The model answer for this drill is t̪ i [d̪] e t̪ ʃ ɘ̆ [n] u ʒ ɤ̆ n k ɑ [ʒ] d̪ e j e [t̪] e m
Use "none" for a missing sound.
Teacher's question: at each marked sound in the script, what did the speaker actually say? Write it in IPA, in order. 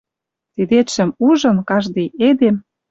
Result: d̪, m, ʒ, d̪

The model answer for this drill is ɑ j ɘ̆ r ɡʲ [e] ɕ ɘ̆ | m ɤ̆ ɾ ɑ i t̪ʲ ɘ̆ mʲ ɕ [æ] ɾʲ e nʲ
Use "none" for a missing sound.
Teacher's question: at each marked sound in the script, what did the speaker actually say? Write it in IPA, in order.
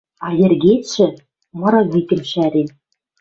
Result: e, æ

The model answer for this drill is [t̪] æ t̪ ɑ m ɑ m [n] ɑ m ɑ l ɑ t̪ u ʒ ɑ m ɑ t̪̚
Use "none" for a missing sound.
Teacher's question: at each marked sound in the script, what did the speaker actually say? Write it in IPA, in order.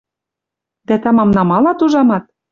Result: d̪, n

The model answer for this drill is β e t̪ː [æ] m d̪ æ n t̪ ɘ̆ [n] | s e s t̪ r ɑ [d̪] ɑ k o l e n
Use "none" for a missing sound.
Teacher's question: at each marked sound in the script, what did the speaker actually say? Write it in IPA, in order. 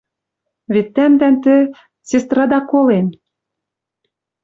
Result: æ, none, d̪

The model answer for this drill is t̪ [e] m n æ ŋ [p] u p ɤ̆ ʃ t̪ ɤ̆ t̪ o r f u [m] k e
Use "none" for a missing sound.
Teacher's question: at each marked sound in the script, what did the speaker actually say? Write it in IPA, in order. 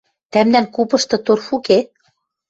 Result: æ, k, none

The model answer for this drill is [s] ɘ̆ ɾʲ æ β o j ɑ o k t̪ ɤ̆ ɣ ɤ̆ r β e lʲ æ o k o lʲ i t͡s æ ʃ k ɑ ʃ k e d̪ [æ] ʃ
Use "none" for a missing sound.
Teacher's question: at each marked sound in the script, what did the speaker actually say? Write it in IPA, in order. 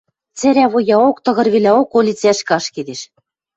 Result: t͡s, e

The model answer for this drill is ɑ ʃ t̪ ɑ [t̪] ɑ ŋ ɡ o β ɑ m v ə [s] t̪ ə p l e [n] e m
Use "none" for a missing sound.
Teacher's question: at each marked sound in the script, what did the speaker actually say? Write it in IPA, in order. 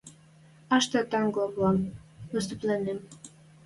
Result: t̪, s, n

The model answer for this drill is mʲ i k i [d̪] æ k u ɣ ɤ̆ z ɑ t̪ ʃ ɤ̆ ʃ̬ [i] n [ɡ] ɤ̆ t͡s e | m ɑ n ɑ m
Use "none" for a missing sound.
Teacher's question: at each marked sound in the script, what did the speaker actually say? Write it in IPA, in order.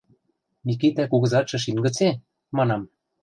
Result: t̪, i, ɡ

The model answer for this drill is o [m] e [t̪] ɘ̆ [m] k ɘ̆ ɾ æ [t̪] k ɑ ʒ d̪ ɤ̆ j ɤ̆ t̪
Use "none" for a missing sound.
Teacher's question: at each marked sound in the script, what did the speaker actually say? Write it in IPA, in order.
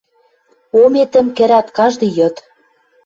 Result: m, t̪, m, t̪

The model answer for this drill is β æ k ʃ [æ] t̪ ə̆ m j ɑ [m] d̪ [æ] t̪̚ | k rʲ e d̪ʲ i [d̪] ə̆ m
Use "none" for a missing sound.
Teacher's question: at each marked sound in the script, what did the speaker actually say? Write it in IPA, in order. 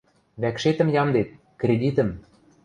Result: e, m, e, t̪

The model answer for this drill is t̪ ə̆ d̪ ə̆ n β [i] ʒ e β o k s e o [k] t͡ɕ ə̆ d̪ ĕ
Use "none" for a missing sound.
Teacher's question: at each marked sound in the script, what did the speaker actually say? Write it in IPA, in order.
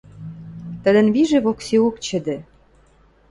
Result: i, k

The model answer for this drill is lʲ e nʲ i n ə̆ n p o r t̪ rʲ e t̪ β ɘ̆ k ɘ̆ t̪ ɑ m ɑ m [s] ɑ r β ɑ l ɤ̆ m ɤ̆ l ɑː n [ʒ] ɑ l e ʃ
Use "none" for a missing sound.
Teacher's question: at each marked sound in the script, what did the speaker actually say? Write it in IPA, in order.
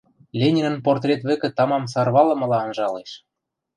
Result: s, ʒ

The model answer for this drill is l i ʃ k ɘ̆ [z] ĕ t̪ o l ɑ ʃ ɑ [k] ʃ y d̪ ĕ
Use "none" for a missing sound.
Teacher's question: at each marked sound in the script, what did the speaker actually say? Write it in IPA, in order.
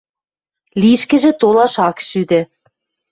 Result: ʒ, k

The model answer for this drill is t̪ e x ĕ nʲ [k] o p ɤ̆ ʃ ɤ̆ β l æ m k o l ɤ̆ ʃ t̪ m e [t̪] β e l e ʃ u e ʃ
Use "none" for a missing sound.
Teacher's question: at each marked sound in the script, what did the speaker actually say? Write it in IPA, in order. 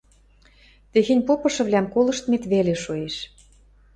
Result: p, t̪

